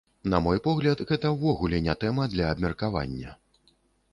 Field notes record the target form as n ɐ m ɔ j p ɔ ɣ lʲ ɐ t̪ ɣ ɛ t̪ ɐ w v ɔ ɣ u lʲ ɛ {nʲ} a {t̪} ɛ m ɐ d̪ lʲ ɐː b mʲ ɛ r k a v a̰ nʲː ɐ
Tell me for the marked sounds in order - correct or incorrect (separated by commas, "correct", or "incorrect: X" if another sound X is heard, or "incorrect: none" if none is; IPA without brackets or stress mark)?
correct, correct